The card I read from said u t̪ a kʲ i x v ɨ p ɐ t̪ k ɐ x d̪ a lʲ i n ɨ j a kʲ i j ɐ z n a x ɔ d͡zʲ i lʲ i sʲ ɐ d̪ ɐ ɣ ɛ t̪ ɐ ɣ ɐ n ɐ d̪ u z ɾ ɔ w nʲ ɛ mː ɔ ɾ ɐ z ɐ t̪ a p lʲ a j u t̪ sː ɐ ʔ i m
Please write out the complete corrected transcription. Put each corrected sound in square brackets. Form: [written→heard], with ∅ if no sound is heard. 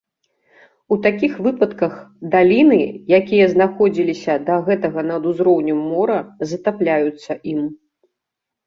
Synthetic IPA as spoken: u t̪ a kʲ i x v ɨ p ɐ t̪ k ɐ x d̪ a lʲ i n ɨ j a kʲ i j ɐ z n a x ɔ d͡zʲ i lʲ i sʲ ɐ d̪ ɐ ɣ ɛ t̪ ɐ ɣ ɐ n ɐ d̪ u z ɾ ɔ w nʲ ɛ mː ɔ ɾ ɐ z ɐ t̪ a p lʲ a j u t̪ sː ɐ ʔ i m